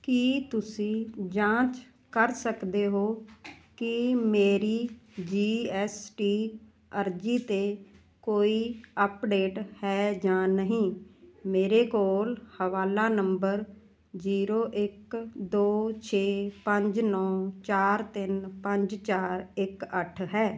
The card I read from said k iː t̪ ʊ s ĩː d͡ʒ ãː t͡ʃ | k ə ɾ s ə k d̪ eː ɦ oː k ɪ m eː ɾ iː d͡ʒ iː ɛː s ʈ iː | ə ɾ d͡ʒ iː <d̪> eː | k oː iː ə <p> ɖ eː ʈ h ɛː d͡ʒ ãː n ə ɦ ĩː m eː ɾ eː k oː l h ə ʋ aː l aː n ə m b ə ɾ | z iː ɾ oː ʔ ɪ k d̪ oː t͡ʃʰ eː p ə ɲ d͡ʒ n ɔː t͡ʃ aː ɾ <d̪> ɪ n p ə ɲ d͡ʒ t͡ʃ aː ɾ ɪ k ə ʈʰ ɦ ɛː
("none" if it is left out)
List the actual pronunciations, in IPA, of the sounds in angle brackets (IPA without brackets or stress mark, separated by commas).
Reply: t̪, p, t̪